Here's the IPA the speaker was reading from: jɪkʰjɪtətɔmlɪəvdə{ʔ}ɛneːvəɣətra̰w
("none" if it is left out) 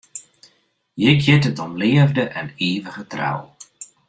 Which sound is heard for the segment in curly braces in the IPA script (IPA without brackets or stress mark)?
ʔ